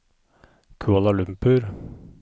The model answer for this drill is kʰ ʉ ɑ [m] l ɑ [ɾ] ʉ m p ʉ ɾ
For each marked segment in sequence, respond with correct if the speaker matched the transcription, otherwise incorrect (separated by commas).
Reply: incorrect, incorrect